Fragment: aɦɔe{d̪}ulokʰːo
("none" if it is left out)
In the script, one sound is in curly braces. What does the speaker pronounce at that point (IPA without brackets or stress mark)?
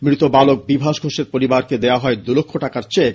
d̪